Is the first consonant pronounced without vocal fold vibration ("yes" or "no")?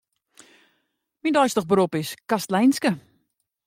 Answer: no